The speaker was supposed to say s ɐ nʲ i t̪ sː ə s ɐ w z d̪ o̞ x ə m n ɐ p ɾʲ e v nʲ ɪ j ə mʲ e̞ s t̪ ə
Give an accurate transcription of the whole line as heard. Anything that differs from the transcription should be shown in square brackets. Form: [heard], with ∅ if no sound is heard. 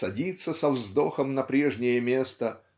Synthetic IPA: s ɐ [dʲ] i t̪ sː ə s ɐ [v] z d̪ o̞ x ə m n ɐ p ɾʲ e [ʐ] nʲ ɪ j ə mʲ e̞ s t̪ ə